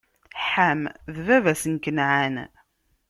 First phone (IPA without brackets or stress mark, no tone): ħ